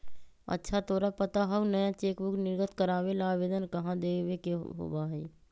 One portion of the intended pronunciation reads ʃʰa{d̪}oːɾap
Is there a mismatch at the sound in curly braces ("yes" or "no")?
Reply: yes